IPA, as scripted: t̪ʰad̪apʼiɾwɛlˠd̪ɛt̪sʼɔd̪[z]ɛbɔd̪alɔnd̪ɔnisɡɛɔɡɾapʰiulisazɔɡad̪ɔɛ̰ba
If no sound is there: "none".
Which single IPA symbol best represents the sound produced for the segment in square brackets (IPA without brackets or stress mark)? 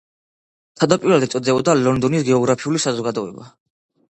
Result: z